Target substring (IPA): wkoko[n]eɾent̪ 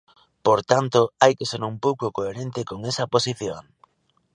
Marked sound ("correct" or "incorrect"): incorrect